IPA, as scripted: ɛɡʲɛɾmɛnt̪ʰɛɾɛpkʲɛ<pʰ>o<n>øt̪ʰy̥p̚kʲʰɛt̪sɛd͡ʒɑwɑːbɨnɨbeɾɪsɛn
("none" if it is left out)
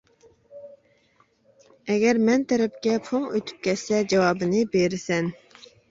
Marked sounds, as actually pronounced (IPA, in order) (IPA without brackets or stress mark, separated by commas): pʰ, ŋ